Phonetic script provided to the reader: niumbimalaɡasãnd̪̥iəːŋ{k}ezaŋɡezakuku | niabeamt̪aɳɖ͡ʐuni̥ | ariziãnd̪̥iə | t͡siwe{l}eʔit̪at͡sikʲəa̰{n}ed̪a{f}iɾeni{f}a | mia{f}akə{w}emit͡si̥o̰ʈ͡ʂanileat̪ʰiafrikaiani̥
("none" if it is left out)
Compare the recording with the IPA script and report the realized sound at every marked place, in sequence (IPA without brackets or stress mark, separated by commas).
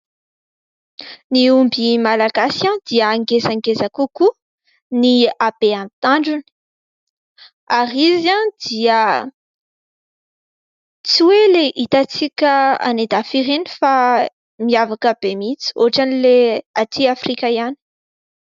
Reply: ɡ, l, n, f, f, v, b